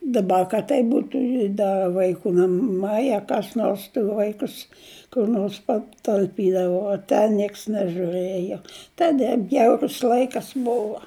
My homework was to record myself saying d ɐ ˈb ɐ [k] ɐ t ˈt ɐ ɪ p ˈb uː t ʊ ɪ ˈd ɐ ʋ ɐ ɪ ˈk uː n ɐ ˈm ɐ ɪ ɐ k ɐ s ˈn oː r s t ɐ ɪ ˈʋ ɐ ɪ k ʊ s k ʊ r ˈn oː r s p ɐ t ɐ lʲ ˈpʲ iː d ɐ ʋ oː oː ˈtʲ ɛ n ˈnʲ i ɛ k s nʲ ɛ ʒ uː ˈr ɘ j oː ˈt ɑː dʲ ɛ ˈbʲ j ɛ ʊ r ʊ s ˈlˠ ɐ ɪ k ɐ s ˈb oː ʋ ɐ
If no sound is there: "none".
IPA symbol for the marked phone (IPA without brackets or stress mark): k